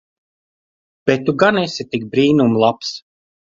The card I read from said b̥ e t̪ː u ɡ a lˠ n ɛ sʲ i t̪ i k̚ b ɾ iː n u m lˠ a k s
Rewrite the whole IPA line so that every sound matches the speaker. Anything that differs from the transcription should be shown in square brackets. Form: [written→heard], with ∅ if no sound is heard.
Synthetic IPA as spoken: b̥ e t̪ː u ɡ a [lˠ→∅] n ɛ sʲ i t̪ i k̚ b ɾ iː n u m lˠ a [k→p] s